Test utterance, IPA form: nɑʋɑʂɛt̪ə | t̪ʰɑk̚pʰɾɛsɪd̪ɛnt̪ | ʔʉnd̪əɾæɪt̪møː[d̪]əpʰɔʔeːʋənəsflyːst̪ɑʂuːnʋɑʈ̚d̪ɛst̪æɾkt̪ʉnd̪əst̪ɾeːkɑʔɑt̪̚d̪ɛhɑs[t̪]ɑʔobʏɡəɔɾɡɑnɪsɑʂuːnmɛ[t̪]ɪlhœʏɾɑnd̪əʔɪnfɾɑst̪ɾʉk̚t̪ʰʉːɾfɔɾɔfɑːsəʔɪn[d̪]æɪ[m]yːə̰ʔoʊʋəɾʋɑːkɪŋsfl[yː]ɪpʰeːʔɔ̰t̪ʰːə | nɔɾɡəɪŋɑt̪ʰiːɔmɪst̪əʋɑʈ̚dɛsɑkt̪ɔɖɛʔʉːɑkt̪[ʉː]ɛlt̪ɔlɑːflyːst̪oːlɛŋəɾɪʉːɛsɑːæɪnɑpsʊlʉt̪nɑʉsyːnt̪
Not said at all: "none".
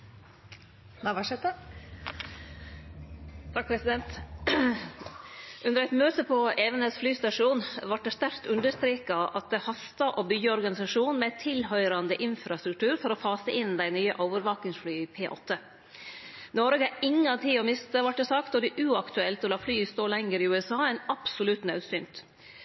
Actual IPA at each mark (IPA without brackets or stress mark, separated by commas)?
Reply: t̪, t̪, t̪ʰ, d̪, n, yː, ʉ